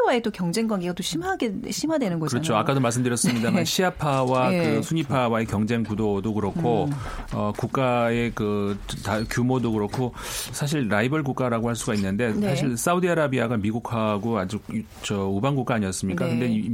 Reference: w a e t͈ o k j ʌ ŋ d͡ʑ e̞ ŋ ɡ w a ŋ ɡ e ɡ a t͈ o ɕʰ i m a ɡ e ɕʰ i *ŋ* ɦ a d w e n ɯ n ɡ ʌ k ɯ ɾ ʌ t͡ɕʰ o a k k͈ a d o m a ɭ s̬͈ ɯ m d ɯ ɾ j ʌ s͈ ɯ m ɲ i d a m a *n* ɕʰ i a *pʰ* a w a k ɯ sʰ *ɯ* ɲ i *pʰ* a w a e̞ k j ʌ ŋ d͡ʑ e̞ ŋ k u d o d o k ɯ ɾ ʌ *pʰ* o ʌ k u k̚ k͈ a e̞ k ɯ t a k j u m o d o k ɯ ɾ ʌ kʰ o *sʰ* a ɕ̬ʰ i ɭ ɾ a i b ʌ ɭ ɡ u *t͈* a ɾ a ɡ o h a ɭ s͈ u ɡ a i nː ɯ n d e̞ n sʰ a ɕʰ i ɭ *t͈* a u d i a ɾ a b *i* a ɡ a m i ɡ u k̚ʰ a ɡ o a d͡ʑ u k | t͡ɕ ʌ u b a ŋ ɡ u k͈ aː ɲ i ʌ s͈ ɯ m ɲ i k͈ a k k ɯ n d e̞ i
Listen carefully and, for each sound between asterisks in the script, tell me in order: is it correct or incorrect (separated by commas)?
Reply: incorrect, correct, correct, incorrect, correct, incorrect, correct, incorrect, incorrect, correct